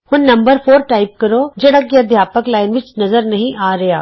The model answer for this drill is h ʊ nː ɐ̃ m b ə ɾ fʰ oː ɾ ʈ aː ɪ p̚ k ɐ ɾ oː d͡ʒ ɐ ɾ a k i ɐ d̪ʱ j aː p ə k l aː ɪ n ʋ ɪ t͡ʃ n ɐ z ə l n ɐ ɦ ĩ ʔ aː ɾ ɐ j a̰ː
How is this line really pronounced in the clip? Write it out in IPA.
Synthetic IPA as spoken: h ʊ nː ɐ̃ m b ə ɾ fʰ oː ɾ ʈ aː ɪ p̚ k ɐ ɾ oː d͡ʒ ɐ ɽ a k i ɐ d̪ʱ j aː p ə k l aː ɪ n ʋ ɪ t͡ʃ n ɐ z ə ɾ n ɐ ɦ ĩ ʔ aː ɾ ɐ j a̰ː